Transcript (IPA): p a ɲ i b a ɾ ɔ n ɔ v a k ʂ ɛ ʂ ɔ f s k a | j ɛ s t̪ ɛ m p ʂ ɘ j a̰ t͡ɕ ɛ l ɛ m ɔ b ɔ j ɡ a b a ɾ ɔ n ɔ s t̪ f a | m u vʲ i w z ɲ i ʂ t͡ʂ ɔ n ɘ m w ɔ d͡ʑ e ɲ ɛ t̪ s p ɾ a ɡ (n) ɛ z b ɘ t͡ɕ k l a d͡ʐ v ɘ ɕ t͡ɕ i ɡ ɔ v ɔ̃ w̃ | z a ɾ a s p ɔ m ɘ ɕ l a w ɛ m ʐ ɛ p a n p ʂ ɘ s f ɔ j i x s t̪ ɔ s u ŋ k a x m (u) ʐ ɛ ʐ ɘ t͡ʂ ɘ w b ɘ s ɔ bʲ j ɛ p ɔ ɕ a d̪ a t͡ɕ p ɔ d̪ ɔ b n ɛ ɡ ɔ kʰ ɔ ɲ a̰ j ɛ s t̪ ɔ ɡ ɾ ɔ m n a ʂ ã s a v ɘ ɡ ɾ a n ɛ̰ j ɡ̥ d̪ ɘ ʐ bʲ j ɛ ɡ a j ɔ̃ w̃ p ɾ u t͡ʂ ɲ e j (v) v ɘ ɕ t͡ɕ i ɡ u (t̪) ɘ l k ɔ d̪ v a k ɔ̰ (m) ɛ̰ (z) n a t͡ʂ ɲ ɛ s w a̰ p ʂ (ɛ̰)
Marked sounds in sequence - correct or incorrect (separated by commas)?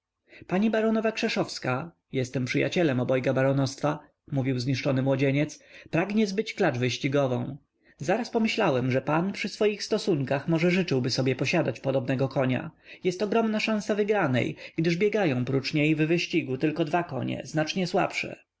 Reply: incorrect, incorrect, correct, correct, incorrect, correct, correct